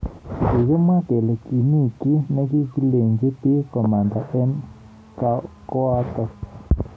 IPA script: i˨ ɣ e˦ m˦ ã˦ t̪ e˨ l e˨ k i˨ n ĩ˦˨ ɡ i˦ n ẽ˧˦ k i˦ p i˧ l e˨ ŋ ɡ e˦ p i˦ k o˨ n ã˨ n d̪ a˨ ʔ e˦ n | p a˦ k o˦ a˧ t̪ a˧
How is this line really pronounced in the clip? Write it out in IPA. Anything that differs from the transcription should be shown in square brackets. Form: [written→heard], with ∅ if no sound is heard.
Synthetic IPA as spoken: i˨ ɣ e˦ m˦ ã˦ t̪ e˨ l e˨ k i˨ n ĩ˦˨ [ɡ→k] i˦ n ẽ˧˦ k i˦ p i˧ l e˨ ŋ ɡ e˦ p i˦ k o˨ [n→m] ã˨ n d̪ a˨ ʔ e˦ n | [p→k] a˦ k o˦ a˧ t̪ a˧